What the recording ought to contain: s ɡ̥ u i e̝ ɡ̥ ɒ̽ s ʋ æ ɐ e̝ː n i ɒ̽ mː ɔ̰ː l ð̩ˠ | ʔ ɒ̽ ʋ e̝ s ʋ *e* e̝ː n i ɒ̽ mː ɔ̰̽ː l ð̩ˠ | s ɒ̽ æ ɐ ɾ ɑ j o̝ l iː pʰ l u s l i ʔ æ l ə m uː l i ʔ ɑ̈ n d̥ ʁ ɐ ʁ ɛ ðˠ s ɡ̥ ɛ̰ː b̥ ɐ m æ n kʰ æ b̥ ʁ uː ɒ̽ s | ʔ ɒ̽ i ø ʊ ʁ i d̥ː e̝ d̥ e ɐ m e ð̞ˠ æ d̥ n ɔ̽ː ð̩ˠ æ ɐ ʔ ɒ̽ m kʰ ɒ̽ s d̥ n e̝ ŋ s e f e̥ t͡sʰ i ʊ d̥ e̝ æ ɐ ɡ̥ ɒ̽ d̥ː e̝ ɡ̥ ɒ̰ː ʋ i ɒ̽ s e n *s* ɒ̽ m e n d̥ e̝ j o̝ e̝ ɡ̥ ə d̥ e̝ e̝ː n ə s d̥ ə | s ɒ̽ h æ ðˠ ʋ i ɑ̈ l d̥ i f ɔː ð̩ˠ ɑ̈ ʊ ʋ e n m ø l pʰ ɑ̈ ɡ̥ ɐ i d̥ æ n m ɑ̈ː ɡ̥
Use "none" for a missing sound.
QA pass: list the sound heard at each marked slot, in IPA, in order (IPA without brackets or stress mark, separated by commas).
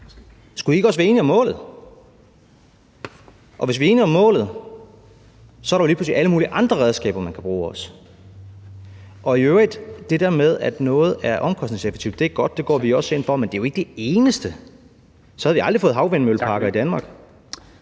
i, f